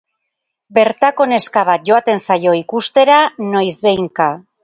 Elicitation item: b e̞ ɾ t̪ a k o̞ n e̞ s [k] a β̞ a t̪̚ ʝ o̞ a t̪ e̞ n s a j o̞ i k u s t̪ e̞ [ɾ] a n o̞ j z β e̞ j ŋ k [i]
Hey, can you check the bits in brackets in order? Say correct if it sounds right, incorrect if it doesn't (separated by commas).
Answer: correct, correct, incorrect